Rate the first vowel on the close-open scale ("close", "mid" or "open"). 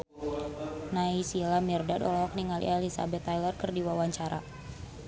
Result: open